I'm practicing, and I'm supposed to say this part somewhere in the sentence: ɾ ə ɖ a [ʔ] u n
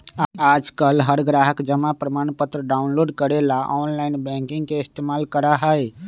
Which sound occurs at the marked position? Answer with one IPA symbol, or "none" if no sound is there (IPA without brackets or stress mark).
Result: none